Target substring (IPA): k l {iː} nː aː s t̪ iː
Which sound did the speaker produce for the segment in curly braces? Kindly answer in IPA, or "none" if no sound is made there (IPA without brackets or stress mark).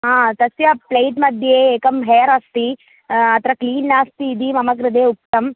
iː